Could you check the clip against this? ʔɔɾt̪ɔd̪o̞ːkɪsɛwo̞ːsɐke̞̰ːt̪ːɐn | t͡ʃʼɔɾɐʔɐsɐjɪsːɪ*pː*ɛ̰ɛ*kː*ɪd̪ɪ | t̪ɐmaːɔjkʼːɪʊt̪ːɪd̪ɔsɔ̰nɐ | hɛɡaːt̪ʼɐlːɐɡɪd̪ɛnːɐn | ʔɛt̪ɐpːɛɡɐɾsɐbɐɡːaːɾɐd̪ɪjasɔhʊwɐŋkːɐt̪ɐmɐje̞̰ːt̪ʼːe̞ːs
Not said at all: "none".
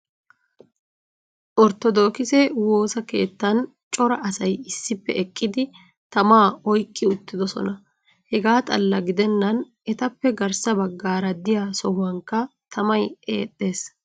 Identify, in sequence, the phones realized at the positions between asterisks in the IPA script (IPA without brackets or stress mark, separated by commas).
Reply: pː, kʼː